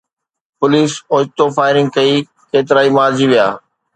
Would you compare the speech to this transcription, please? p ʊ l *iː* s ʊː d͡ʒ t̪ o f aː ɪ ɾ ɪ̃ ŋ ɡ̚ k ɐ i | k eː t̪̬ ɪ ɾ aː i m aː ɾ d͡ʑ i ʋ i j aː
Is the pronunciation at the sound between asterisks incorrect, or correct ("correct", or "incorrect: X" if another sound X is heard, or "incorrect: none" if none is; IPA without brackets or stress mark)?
correct